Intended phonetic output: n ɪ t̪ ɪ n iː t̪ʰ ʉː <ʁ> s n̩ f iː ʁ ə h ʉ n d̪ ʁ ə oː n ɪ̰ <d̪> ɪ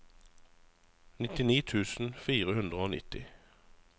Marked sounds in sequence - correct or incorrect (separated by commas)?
incorrect, incorrect